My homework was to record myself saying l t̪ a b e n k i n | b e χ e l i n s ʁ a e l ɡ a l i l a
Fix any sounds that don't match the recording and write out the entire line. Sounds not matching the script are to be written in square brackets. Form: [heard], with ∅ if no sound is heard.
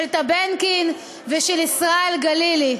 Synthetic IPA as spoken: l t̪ a b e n k i n | [v] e [ʃ] e l i [∅] s ʁ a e l ɡ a l i l [i]

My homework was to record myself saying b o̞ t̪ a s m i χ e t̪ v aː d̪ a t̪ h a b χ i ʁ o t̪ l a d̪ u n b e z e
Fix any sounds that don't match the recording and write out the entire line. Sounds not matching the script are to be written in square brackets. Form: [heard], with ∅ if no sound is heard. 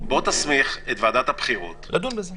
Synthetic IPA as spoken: b o̞ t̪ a s m i χ e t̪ v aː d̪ a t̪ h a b χ i ʁ o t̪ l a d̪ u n b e z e

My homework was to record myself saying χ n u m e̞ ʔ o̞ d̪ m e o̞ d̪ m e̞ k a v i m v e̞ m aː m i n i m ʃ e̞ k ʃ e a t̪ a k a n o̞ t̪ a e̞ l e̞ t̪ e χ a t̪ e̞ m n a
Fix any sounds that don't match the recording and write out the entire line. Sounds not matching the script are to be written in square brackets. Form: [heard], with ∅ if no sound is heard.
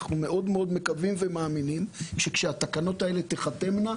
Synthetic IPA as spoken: χ n u m e̞ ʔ o̞ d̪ m e o̞ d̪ m e̞ k a v i m v e̞ m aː m i n i m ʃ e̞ k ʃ e a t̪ a k a n o̞ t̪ a e̞ l e̞ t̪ e χ a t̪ e̞ m n a

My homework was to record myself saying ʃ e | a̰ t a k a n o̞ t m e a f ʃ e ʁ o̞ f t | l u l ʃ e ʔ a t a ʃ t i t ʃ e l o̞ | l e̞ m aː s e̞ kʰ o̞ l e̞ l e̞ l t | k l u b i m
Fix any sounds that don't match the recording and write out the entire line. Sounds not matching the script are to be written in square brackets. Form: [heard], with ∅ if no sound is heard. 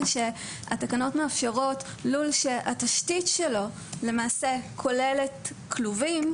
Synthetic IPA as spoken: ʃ e | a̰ t a k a n o̞ t m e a f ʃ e ʁ o̞ [∅] t | l u l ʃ e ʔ a t a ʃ t i t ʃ e l o̞ | l e̞ m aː s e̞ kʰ o̞ l e̞ l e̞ [∅] t | k l u [v] i m

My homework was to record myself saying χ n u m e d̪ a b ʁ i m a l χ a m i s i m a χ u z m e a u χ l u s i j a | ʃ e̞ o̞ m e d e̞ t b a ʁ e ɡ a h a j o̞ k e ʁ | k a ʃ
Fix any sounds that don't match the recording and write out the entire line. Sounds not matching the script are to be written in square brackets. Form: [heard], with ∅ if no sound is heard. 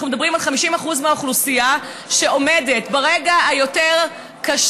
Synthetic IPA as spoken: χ n u m e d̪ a b ʁ i m a l χ a m i [ʃ] i m a χ u z m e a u χ l u s i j a | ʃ e̞ o̞ m e d e̞ t b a ʁ e ɡ a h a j o̞ [t] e ʁ | k a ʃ

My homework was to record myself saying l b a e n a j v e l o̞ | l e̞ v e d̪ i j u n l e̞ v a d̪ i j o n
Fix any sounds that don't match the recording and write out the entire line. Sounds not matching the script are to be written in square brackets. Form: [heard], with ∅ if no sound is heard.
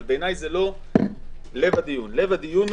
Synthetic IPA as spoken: l b [e] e n a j [z] e l o̞ | l e̞ v [a] d̪ i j u n l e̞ v a d̪ i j [u] n

